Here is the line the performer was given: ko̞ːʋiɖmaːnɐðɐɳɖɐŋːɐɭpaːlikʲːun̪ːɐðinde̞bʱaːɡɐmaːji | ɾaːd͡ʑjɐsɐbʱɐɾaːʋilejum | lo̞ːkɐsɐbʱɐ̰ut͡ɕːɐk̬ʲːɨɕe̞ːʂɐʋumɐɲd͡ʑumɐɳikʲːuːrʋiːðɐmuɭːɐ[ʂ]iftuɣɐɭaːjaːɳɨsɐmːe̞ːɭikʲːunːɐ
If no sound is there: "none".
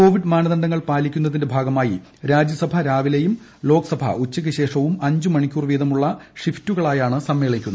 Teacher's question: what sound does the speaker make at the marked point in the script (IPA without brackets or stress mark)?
ʂ